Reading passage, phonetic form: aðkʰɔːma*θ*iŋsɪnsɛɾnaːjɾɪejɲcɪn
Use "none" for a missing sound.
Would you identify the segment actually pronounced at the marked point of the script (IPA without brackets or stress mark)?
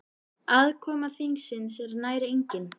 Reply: θ